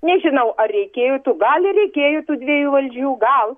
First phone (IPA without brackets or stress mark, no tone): nʲ